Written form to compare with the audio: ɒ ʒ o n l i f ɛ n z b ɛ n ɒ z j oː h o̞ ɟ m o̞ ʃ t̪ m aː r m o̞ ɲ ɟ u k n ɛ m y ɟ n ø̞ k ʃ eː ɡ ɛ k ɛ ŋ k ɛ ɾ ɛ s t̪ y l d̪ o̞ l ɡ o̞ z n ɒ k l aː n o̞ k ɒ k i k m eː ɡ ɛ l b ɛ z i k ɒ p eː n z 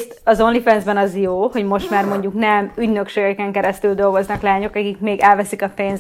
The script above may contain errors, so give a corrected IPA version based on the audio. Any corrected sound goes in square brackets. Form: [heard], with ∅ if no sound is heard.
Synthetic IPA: ɒ [z] o n l i f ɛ n z b ɛ n ɒ z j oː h o̞ ɟ m o̞ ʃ t̪ m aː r m o̞ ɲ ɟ u k n ɛ m y ɟ n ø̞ k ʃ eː ɡ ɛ k ɛ ŋ k ɛ ɾ ɛ s t̪ y l d̪ o̞ l ɡ o̞ z n ɒ k l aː [ɲ] o̞ k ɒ k i k m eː ɡ ɛ l [v] ɛ [s] i k ɒ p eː n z